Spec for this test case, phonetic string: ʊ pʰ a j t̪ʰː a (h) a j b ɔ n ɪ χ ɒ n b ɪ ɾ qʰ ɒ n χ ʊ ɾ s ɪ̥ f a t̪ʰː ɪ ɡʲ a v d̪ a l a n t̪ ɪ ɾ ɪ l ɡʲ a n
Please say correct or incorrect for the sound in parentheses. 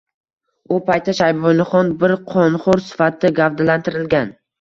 incorrect: ʃ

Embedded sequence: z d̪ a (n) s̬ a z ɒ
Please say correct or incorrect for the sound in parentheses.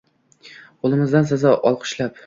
correct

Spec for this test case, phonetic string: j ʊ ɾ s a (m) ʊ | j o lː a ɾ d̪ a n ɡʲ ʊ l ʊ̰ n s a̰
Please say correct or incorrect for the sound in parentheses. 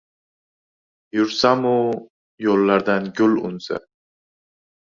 correct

